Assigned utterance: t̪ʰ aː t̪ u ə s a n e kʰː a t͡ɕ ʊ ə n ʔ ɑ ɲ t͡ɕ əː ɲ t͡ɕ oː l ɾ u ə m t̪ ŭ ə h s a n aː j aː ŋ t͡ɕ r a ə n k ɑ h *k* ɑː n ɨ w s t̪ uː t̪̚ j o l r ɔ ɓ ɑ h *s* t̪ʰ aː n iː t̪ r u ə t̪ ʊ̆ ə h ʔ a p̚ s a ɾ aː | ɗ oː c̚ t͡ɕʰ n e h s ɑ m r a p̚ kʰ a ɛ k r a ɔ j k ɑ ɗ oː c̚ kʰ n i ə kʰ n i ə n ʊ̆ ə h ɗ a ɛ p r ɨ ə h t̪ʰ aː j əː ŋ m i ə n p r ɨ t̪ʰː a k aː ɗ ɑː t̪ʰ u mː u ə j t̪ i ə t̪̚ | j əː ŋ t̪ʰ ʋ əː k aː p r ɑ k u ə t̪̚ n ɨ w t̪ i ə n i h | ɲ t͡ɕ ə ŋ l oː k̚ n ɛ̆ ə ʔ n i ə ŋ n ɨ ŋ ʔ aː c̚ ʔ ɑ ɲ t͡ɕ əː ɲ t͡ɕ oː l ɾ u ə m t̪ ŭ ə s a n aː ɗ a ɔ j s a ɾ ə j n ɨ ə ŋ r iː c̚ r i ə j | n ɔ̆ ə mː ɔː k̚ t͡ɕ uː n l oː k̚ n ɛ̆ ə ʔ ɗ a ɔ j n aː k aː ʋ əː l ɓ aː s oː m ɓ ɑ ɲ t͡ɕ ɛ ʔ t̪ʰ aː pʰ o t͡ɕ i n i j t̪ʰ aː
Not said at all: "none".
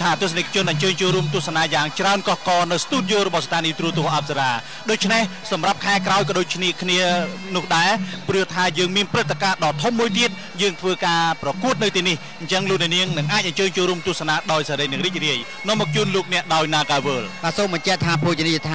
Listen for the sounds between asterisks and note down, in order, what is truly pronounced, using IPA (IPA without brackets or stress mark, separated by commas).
k, s